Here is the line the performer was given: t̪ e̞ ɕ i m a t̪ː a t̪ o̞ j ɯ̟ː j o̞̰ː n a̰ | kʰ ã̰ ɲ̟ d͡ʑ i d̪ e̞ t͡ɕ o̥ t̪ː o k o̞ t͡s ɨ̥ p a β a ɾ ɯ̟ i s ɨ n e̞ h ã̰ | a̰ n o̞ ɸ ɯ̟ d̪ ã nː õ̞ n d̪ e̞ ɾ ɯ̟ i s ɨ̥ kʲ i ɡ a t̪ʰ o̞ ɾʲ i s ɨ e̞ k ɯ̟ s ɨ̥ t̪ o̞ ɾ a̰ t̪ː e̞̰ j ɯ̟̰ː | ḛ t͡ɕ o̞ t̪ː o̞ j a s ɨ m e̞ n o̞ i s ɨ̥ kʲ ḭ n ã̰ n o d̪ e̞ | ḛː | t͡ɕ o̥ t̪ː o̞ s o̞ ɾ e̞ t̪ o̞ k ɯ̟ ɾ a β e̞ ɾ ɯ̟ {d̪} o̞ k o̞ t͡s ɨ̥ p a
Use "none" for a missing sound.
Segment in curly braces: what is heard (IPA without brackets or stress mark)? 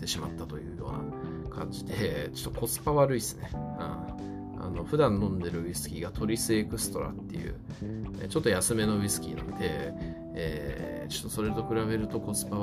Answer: t̪